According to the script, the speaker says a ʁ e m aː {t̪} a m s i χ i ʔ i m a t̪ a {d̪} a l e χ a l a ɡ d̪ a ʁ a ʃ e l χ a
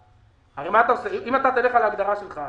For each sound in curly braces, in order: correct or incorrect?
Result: correct, incorrect: t̪

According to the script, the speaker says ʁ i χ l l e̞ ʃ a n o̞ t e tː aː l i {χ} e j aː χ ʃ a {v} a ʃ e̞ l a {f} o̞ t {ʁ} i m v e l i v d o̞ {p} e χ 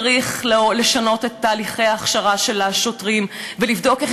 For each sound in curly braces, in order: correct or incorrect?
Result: correct, incorrect: ʁ, incorrect: ʃ, correct, incorrect: k

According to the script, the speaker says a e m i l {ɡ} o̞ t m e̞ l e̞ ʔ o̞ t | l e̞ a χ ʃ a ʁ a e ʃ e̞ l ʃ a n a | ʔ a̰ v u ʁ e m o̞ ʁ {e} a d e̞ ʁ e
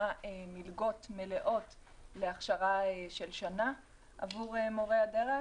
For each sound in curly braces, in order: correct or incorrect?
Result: correct, correct

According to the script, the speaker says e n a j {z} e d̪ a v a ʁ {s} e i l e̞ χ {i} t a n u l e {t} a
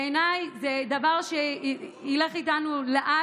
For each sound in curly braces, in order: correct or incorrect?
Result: correct, incorrect: ʃ, correct, incorrect: ʔ

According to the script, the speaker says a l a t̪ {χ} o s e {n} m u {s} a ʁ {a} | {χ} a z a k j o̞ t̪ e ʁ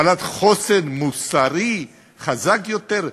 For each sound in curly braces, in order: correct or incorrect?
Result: correct, correct, correct, incorrect: i, correct

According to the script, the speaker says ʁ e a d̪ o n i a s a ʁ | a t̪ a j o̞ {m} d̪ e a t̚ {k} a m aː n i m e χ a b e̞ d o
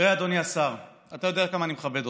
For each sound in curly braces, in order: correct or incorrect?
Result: incorrect: none, correct

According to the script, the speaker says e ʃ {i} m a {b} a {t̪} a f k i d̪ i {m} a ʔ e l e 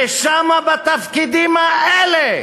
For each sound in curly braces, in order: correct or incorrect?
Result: incorrect: a, correct, correct, correct

